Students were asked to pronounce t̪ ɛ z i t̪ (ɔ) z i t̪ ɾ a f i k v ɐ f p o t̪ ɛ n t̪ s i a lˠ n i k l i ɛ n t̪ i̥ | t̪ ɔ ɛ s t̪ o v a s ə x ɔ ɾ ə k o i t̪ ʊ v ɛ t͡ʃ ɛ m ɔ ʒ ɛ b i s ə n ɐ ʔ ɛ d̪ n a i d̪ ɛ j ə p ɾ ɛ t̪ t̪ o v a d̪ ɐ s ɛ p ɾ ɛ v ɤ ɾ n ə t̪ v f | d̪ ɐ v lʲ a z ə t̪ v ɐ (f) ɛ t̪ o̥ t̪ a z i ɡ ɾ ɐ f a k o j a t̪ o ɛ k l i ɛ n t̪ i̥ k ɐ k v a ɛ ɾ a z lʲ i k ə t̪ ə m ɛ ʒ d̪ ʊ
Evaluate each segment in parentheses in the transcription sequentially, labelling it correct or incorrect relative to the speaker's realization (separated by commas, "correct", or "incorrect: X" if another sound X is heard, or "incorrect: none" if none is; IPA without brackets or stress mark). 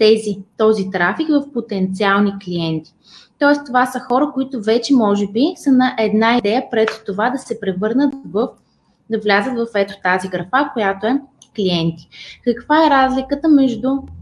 correct, correct